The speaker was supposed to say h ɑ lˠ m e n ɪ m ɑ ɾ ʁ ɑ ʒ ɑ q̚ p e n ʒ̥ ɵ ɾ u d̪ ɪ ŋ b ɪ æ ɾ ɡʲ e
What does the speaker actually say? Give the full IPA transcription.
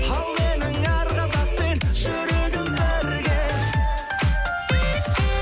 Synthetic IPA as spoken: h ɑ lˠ m e n ɪ ŋ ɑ ɾ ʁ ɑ z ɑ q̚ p e n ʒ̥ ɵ ɾ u d̪ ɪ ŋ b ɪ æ ɾ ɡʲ e